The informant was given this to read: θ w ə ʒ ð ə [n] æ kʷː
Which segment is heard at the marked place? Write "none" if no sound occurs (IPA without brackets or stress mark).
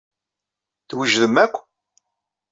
m